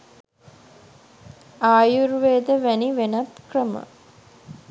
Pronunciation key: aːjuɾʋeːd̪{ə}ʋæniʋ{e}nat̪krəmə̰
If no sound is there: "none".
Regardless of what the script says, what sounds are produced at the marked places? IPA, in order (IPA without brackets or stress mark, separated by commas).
ə, e